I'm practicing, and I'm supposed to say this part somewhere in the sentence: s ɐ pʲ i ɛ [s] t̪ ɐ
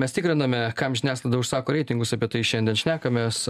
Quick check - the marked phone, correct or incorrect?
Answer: incorrect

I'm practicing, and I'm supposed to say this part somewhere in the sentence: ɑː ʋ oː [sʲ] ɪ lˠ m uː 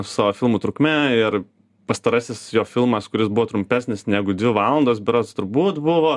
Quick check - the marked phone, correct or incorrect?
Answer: incorrect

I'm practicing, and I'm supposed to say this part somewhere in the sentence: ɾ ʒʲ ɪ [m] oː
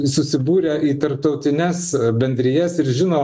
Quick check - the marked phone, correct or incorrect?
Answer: incorrect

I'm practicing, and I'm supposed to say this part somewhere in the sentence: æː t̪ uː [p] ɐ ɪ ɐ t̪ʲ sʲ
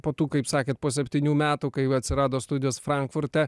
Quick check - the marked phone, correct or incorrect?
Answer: incorrect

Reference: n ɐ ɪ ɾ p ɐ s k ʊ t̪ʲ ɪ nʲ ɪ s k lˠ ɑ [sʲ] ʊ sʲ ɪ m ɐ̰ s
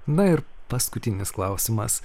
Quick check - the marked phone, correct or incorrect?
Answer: incorrect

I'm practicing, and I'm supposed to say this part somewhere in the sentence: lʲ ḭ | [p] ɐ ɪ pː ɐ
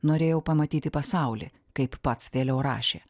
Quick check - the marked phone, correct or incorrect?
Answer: incorrect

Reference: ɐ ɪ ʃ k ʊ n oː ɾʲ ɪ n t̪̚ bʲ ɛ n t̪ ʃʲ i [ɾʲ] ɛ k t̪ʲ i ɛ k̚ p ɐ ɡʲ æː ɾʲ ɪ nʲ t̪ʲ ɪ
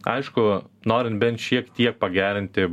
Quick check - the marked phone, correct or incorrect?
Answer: incorrect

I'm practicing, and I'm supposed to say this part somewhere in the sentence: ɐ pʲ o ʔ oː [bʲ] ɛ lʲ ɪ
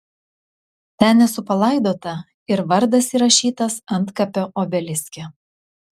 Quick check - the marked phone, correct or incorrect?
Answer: correct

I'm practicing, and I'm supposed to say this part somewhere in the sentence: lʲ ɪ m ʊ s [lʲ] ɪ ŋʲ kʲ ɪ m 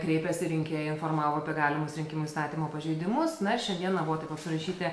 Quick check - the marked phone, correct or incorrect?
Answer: incorrect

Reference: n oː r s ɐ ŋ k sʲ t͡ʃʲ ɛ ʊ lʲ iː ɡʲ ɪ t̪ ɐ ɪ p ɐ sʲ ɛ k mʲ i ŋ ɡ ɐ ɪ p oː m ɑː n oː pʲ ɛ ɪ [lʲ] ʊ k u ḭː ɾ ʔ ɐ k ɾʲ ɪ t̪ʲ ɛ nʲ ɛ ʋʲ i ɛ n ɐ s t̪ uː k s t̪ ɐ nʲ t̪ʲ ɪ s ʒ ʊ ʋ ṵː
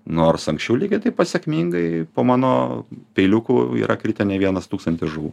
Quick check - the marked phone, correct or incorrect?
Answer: correct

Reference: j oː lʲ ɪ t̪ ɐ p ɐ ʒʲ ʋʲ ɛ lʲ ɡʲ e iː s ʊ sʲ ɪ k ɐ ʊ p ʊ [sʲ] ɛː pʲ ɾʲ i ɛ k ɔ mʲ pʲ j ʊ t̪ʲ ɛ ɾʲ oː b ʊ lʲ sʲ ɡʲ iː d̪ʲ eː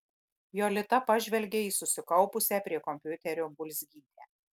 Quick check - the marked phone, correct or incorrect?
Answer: correct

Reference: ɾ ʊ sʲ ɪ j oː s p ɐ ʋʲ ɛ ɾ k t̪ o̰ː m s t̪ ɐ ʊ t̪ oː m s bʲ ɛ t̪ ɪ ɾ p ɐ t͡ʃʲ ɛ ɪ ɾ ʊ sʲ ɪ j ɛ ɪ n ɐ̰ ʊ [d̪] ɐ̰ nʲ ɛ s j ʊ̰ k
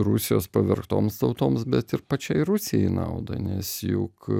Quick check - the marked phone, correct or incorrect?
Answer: correct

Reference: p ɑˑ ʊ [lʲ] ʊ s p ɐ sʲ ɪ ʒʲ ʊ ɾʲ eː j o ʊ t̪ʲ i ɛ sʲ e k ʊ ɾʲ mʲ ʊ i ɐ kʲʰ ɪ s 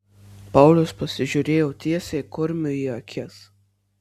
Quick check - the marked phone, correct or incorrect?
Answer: correct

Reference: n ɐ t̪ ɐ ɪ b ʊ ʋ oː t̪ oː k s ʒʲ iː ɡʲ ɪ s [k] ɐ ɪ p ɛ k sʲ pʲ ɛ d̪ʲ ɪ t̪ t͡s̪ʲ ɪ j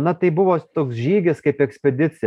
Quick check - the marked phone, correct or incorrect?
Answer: correct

